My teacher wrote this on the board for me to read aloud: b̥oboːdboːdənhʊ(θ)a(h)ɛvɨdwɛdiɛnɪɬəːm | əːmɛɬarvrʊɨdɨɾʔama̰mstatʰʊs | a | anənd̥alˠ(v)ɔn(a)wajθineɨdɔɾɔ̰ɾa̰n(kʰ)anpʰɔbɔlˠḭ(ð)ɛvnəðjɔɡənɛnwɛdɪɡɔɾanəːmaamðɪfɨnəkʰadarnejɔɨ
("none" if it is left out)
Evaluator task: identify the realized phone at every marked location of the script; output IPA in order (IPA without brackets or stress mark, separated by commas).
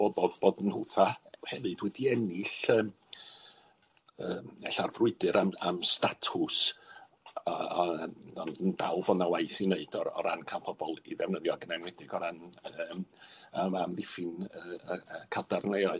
θ, h, v, a, kʰ, ð